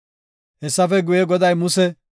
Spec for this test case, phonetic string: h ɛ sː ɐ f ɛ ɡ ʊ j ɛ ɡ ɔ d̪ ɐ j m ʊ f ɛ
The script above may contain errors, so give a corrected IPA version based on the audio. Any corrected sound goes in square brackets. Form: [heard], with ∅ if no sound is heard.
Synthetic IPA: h ɛ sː ɐ f ɛ ɡ ʊ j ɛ ɡ ɔ d̪ ɐ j m ʊ [s] ɛ

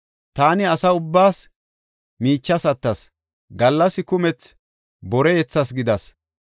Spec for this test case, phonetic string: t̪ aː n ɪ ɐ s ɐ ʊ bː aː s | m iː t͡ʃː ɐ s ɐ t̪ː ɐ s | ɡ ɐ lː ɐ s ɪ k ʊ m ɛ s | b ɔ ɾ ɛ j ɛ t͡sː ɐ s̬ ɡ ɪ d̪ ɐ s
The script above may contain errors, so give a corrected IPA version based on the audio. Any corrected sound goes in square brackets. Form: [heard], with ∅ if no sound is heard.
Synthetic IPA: t̪ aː n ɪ ɐ s ɐ ʊ bː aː s | m iː t͡ʃː ɐ s ɐ t̪ː ɐ s | ɡ ɐ lː ɐ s ɪ k ʊ m ɛ [t͡s] | b ɔ ɾ ɛ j ɛ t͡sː ɐ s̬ ɡ ɪ d̪ ɐ s

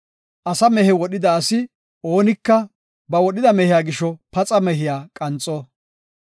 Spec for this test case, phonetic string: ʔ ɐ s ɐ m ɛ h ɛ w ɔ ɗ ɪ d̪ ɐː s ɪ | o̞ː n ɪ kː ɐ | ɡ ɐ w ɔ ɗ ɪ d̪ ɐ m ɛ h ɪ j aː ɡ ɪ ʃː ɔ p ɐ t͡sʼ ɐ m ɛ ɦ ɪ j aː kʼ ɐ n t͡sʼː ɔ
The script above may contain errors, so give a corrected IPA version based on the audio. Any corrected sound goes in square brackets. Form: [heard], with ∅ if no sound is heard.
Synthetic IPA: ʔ ɐ s ɐ m ɛ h ɛ w ɔ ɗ ɪ d̪ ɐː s ɪ | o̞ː n ɪ kː ɐ | [b] ɐ w ɔ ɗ ɪ d̪ ɐ m ɛ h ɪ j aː ɡ ɪ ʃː ɔ p ɐ t͡sʼ ɐ m ɛ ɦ ɪ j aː kʼ ɐ n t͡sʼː ɔ

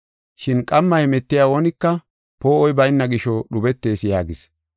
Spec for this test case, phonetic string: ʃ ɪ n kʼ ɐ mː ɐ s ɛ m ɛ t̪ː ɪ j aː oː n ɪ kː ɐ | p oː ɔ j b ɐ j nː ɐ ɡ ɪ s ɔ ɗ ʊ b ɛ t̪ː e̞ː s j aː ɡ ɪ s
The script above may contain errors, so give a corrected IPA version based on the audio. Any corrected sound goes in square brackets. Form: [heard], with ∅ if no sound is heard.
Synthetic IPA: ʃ ɪ n kʼ ɐ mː ɐ [h] ɛ m ɛ t̪ː ɪ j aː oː n ɪ kː ɐ | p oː ɔ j b ɐ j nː ɐ ɡ ɪ [ʃ] ɔ ɗ ʊ b ɛ t̪ː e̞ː s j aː ɡ ɪ s

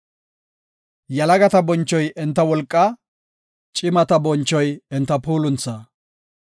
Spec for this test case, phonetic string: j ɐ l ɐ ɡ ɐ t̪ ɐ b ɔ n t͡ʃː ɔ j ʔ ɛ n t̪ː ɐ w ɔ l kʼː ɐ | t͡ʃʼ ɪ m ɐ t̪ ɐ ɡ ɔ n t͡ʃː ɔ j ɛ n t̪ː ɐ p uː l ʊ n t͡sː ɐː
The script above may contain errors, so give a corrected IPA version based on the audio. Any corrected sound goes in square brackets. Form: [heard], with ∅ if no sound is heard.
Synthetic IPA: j ɐ l ɐ ɡ ɐ t̪ ɐ b ɔ n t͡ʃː ɔ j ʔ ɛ n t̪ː ɐ w ɔ l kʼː ɐ | t͡ʃʼ ɪ m ɐ t̪ ɐ [b] ɔ n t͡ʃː ɔ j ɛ n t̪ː ɐ p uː l ʊ n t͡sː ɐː

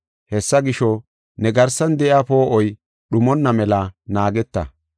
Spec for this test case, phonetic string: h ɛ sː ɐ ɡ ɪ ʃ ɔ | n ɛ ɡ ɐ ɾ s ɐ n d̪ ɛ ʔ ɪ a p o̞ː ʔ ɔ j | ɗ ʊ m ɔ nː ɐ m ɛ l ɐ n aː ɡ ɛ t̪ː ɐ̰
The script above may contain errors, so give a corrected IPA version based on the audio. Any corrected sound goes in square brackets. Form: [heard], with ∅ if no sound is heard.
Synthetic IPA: h ɛ sː ɐ ɡ ɪ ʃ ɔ | n ɛ ɡ ɐ ɾ s ɐ n d̪ ɛ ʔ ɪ a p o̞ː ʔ ɔ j | ɗ ʊ m ɔ nː ɐ m ɛ l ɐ n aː ɡ ɛ t̪ː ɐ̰

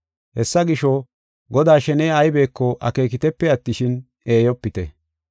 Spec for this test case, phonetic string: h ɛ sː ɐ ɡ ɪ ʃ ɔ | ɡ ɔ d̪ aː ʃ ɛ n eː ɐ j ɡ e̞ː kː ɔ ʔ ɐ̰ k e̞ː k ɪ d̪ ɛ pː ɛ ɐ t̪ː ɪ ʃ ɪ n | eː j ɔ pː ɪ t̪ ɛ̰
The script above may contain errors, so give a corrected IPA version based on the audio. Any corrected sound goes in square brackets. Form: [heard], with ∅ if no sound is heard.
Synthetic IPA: h ɛ sː ɐ ɡ ɪ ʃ ɔ | ɡ ɔ d̪ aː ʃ ɛ n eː ɐ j [b] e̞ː kː ɔ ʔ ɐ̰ k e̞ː k ɪ [t̪] ɛ pː ɛ ɐ t̪ː ɪ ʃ ɪ n | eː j ɔ pː ɪ t̪ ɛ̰

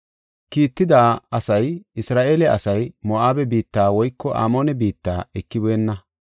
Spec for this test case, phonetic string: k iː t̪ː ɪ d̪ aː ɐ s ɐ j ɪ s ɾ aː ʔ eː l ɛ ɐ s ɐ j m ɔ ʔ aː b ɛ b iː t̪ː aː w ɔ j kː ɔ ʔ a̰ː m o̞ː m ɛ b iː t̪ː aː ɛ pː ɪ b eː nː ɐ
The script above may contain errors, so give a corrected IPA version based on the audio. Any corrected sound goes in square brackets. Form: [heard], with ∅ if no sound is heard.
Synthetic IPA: k iː t̪ː ɪ d̪ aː ɐ s ɐ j ɪ s ɾ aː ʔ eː l ɛ ɐ s ɐ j m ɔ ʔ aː b ɛ b iː t̪ː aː w ɔ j kː ɔ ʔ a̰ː m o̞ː [n] ɛ b iː t̪ː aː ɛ [kː] ɪ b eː nː ɐ

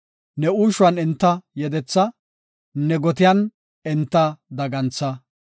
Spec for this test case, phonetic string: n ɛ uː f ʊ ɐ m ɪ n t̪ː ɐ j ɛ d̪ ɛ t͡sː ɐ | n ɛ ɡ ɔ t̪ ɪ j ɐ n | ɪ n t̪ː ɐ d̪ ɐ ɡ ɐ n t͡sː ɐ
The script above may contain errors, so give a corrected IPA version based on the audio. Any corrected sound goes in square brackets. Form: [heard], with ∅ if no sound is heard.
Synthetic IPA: n ɛ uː [ʃ] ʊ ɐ [n] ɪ n t̪ː ɐ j ɛ d̪ ɛ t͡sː ɐ | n ɛ ɡ ɔ t̪ ɪ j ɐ n | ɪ n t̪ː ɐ d̪ ɐ ɡ ɐ n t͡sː ɐ

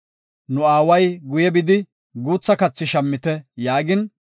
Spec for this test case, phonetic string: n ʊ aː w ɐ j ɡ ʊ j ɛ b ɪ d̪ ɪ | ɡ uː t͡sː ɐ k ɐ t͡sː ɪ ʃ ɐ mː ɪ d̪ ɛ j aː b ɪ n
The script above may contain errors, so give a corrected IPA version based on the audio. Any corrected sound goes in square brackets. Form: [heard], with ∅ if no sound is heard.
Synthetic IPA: n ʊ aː w ɐ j ɡ ʊ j ɛ b ɪ d̪ ɪ | ɡ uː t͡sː ɐ k ɐ t͡sː ɪ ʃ ɐ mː ɪ [t̪] ɛ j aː [ɡ] ɪ n

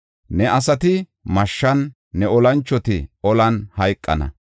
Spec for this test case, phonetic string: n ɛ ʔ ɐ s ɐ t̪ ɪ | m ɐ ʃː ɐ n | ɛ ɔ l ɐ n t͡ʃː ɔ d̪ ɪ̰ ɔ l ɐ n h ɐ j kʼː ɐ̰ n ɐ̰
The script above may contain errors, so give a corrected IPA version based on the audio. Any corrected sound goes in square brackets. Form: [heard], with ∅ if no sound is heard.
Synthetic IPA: n ɛ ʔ ɐ s ɐ t̪ ɪ | m ɐ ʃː ɐ [nː] | ɛ ɔ l ɐ n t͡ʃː ɔ [t̪] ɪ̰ ɔ l ɐ n h ɐ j kʼː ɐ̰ n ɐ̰

